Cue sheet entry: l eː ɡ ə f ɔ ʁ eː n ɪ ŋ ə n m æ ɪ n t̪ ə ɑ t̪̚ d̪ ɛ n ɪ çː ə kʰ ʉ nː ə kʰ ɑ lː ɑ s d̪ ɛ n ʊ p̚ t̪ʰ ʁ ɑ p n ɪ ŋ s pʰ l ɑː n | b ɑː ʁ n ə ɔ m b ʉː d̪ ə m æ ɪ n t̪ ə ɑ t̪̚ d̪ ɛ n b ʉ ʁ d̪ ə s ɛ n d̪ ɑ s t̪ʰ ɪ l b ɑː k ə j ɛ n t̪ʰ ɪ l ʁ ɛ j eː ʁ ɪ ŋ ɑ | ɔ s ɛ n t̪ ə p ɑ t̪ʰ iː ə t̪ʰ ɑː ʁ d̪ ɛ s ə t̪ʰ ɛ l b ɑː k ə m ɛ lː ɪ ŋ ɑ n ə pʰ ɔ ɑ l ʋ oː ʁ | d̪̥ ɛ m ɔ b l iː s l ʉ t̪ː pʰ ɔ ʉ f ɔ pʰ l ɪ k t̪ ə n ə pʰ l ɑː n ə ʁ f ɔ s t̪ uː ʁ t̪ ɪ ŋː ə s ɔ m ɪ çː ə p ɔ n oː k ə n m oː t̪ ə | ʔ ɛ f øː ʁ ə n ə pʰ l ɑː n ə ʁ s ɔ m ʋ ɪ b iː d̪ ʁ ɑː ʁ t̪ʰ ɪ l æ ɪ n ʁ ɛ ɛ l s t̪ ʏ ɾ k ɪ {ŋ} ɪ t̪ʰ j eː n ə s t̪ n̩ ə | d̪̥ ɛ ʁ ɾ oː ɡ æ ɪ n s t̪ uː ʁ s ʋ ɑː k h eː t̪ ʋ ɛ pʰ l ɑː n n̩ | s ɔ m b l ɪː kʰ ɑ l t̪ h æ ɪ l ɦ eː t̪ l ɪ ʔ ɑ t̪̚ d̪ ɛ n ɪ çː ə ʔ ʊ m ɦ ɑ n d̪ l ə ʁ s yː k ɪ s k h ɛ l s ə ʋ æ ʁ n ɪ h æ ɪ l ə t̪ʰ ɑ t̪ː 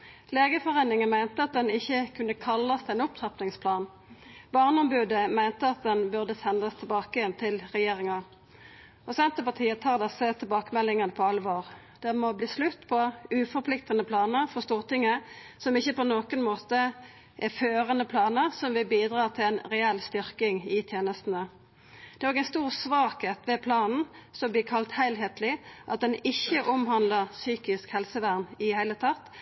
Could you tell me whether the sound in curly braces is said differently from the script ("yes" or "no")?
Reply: no